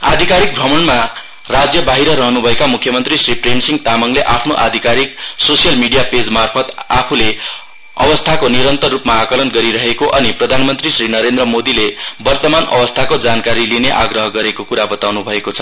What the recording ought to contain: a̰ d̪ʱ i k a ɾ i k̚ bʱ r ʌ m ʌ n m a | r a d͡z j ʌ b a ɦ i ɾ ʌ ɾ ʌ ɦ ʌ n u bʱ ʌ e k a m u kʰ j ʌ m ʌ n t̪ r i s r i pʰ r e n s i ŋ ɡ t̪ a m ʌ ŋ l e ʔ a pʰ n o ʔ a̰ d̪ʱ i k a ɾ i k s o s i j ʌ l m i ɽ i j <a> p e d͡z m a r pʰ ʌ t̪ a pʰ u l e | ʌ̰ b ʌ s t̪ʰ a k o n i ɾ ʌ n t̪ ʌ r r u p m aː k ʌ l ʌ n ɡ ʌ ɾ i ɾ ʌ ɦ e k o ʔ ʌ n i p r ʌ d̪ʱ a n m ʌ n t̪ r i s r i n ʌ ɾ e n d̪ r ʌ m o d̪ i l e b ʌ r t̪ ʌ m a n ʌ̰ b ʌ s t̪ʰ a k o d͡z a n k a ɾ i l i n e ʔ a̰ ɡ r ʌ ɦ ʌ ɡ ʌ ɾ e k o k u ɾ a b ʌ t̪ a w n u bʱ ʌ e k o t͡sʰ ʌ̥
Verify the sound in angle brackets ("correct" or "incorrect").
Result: correct